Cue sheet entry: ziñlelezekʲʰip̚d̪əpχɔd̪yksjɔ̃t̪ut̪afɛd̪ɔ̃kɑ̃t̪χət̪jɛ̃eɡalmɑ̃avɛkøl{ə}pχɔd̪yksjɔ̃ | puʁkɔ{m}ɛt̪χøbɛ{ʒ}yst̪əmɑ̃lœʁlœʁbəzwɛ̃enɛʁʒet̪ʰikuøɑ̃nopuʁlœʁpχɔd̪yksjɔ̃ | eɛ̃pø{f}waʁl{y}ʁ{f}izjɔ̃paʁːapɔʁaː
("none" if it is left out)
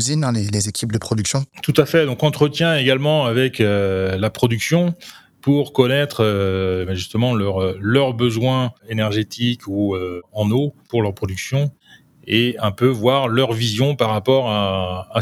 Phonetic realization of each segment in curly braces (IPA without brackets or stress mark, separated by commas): a, n, ʒ, v, œ, v